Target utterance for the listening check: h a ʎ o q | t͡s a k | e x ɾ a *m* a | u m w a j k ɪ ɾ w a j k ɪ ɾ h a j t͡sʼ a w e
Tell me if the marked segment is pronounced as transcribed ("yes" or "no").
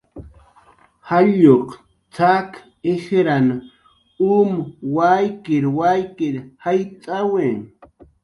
no